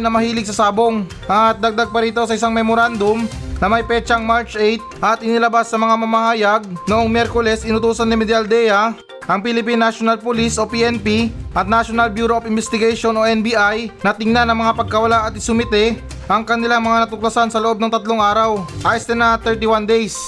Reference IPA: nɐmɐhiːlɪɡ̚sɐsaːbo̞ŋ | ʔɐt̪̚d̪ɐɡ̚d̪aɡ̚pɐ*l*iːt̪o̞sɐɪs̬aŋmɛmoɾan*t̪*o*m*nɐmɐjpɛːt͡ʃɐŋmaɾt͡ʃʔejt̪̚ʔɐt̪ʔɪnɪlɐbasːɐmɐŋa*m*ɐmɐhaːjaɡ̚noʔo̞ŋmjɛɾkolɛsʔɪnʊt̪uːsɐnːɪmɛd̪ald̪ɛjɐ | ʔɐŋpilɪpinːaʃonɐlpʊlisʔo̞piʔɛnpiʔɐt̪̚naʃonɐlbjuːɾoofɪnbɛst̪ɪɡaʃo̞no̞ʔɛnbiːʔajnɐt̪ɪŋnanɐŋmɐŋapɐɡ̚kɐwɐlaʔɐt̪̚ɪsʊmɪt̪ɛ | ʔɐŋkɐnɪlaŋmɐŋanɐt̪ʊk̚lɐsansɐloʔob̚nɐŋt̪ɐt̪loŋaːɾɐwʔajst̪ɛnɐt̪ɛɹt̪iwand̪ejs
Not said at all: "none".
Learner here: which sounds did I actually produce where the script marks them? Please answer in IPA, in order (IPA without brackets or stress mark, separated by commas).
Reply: ɾ, d̪, m, m